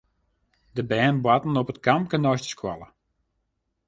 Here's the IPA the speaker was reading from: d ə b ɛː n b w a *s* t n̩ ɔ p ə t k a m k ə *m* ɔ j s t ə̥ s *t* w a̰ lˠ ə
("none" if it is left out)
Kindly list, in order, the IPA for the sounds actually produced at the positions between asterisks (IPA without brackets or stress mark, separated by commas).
none, n, k